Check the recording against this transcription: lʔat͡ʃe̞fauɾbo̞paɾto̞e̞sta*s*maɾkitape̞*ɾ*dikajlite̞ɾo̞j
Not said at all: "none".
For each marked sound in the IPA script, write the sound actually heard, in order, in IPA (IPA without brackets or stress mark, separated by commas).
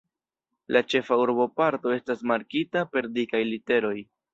s, ɾ